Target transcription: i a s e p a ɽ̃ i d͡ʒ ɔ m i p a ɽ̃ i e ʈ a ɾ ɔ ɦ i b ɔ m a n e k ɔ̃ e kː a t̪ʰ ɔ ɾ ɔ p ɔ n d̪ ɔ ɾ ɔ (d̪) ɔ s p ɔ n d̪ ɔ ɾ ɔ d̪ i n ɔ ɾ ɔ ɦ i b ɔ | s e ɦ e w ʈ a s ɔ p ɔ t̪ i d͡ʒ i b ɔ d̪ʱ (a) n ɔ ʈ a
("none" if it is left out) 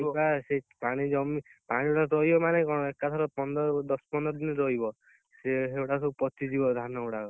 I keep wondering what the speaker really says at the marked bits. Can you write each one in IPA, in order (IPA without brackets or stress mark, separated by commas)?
d̪, a